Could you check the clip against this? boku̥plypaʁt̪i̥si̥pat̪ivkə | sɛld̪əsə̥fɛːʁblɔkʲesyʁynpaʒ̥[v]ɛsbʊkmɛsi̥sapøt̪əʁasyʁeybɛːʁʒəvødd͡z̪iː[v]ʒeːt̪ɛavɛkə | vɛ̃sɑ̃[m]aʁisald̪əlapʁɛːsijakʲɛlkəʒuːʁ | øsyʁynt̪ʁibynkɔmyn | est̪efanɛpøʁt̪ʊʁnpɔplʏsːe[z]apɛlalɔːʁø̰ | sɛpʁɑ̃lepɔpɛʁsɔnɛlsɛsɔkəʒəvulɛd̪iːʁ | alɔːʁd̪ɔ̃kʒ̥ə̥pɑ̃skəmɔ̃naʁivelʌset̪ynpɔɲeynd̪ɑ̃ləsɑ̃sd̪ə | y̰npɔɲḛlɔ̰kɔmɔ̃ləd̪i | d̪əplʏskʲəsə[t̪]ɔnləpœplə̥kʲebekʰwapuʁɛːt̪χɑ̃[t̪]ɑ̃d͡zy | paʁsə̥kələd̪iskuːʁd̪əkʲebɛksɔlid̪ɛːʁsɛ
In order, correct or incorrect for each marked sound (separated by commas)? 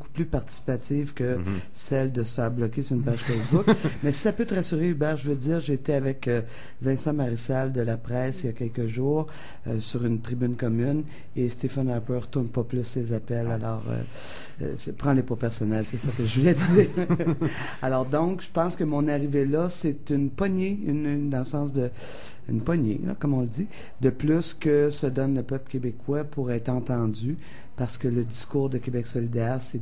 incorrect, incorrect, correct, correct, incorrect, correct